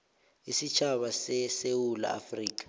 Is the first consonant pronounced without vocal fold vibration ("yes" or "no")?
yes